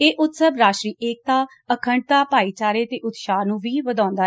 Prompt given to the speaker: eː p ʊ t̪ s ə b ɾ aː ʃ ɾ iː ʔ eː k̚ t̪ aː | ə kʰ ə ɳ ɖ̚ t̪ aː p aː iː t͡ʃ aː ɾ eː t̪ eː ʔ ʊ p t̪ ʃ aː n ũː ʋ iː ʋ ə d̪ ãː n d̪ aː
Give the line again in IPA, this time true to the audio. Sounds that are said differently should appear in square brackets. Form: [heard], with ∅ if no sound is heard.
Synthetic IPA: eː [ʔ] ʊ t̪ s ə b ɾ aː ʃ ɾ iː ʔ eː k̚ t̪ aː | ə kʰ ə ɳ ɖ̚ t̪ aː p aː iː t͡ʃ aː ɾ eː t̪ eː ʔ ʊ [∅] t̪ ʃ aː n ũː ʋ iː ʋ ə d̪ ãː n d̪ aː